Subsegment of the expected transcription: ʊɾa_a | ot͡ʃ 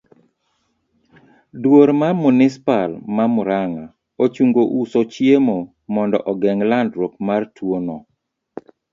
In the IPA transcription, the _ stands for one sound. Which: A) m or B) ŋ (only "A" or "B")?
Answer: B